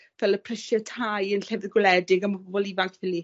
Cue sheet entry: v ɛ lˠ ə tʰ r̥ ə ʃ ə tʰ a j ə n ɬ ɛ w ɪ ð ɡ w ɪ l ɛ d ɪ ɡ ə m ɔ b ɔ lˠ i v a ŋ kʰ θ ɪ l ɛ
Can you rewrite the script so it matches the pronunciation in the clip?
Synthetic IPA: v ɛ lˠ ə pʰ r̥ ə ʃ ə tʰ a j ə n ɬ ɛ v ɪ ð ɡ w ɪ l ɛ d ɪ ɡ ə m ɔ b ɔ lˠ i v a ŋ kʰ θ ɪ l i